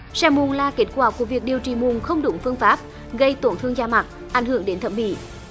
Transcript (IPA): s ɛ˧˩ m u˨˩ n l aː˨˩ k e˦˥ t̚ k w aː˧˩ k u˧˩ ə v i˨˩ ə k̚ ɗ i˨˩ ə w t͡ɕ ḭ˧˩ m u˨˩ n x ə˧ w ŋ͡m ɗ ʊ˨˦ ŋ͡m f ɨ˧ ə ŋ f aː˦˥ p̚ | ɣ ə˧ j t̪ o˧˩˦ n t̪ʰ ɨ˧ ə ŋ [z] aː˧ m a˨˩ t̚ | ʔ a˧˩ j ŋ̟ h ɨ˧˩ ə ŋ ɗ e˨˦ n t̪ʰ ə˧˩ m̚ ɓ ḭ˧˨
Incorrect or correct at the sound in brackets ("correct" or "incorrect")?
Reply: correct